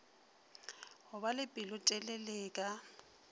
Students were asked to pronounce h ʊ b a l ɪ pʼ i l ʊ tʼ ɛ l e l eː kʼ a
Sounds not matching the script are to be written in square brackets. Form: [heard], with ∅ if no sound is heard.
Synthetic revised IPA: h ʊ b a l ɪ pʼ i l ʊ tʼ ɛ l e l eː kʼ a